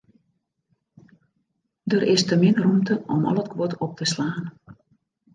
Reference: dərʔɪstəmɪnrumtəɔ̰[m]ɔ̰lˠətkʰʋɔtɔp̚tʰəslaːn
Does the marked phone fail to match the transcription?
no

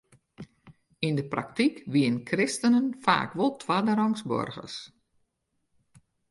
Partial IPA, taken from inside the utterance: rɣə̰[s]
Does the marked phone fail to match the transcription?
no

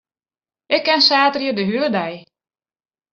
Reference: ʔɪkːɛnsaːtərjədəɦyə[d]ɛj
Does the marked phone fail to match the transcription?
no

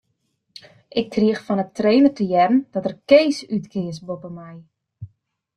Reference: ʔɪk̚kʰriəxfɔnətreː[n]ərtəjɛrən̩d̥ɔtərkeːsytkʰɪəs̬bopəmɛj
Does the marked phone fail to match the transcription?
no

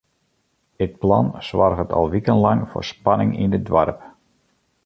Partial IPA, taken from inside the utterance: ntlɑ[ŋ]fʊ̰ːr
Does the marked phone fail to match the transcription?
no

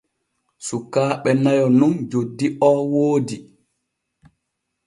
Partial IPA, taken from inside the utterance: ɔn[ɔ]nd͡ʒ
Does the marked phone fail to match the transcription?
yes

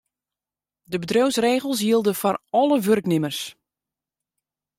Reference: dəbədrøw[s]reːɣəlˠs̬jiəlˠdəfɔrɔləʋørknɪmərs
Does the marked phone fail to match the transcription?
no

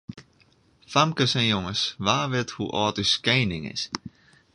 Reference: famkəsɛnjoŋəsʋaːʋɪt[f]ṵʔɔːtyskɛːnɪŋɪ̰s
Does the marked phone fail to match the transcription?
yes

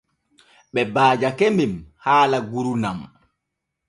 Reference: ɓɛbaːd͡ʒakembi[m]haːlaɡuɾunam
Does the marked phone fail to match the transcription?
no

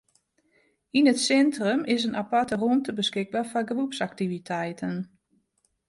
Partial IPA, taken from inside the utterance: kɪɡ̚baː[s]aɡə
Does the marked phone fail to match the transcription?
yes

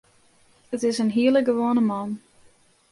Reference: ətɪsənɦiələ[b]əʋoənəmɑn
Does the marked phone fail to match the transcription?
yes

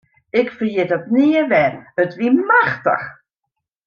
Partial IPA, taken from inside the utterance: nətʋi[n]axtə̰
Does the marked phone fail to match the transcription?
yes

